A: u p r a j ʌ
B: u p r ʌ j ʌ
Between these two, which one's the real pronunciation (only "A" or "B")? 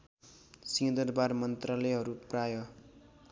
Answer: A